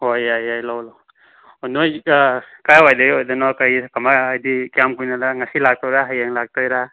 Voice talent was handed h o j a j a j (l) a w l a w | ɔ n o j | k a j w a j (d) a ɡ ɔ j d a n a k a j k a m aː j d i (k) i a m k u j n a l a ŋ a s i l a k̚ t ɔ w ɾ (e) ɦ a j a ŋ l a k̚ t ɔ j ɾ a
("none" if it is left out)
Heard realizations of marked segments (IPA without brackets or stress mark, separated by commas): l, d, k, a